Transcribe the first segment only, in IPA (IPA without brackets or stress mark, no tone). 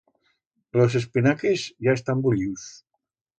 l